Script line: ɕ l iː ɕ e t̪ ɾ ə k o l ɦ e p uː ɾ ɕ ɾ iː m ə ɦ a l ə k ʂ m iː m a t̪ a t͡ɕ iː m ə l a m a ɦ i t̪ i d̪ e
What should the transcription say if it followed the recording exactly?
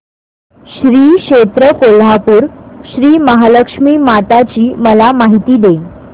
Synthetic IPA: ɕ ɾ iː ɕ e t̪ ɾ ə k o l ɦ a p uː ɾ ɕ ɾ iː m ə ɦ a l ə k ʂ m iː m a t̪ a t͡ɕ iː m ə l a m a ɦ i t̪ iː d̪ e